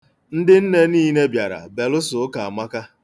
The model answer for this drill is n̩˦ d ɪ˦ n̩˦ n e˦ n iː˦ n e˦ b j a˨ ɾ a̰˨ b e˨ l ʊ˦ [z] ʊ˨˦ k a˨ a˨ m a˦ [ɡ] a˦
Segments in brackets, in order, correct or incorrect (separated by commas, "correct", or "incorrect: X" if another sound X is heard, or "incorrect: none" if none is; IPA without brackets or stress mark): incorrect: s, incorrect: k